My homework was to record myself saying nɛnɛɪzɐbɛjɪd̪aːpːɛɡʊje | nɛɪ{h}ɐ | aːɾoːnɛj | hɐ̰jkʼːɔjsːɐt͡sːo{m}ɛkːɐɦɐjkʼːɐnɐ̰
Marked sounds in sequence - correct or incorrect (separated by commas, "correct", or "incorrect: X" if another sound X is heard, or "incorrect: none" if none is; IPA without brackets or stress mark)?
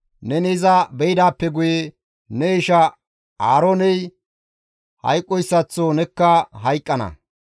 incorrect: ʃ, incorrect: n